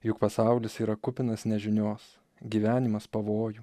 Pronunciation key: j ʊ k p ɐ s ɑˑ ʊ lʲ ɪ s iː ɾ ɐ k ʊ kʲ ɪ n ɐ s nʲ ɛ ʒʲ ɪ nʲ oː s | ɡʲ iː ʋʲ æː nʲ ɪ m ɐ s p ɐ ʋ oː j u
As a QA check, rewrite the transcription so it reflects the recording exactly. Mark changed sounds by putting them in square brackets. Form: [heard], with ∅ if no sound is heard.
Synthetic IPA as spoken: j ʊ k p ɐ s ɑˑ ʊ lʲ ɪ s iː ɾ ɐ k ʊ [pʲ] ɪ n ɐ s nʲ ɛ ʒʲ ɪ nʲ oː s | ɡʲ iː ʋʲ æː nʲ ɪ m ɐ s p ɐ ʋ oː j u